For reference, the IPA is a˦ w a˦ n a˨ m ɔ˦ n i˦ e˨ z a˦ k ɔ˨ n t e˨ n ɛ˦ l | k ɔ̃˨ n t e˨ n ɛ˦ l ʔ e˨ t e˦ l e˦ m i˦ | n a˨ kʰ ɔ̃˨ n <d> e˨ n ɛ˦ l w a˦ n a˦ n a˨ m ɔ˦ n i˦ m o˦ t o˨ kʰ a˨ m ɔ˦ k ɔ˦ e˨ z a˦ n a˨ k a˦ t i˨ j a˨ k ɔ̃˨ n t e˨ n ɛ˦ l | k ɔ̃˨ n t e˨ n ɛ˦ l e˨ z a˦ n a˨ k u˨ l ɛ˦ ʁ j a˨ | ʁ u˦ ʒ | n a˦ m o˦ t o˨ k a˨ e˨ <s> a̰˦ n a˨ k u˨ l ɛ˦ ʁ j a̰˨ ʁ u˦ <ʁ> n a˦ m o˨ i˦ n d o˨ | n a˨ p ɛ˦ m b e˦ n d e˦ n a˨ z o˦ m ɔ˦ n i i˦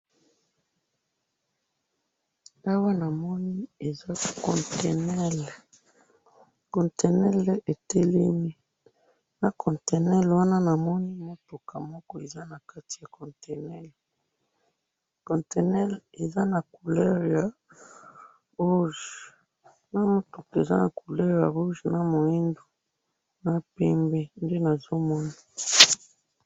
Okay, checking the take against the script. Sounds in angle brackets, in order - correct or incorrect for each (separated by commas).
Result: incorrect, incorrect, incorrect